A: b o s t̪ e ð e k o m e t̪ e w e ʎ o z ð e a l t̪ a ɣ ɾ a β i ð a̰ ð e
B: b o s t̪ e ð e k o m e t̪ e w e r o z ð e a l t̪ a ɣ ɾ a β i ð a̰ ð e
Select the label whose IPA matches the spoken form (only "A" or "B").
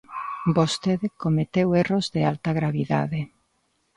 B